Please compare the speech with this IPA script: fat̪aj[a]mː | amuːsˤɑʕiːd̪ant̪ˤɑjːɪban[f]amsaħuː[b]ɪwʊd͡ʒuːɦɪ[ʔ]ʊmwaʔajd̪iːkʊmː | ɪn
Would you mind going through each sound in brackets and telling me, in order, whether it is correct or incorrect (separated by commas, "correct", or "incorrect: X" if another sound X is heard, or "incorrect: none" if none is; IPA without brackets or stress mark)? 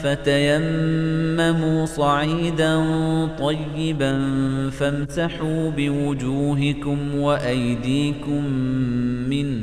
correct, correct, correct, incorrect: k